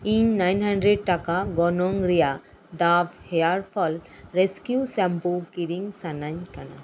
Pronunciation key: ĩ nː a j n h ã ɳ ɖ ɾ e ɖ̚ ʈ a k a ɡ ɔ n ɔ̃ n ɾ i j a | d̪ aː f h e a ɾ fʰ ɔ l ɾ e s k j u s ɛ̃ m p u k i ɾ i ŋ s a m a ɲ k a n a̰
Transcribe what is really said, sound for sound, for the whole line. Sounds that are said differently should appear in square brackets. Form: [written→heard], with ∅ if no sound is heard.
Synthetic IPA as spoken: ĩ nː a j n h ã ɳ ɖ ɾ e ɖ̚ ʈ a k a ɡ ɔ n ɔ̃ [n→ŋ] ɾ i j a | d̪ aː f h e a ɾ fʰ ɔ l ɾ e s k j u s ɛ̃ m p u k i ɾ i ŋ s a [m→n] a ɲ k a n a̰